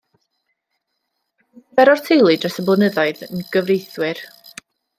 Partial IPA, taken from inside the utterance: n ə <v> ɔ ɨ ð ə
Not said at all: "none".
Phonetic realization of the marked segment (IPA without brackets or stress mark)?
ð